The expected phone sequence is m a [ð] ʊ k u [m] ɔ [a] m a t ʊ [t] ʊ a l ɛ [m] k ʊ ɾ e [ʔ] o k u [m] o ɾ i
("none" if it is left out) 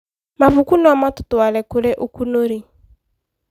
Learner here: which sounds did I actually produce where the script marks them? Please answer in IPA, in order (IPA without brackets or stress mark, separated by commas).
v, n, a, t, none, ʔ, n